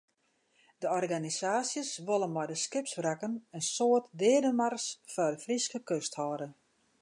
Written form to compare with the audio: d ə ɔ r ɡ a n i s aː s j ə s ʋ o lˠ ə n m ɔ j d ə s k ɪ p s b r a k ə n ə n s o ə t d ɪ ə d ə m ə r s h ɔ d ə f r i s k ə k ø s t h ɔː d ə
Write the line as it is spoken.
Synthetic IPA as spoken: d ə ɔ r ɡ a n i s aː s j ə s ʋ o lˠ ə n m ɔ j d ə s k ɪ p s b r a k ə n ə n s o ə t d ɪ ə d ə m a r s f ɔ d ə f r i s k ə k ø s t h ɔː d ə